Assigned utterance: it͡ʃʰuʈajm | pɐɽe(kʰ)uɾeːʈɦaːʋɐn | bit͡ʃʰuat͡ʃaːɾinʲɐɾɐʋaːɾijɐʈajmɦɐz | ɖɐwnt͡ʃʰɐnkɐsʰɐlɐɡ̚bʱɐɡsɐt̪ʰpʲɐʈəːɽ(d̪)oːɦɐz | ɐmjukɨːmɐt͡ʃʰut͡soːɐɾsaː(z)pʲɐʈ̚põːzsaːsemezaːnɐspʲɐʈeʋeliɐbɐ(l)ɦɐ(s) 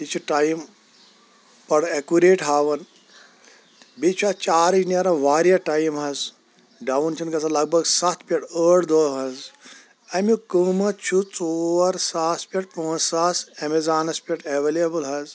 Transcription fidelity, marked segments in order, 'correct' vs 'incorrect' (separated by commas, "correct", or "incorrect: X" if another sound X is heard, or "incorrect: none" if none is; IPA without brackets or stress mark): incorrect: k, correct, incorrect: s, correct, incorrect: z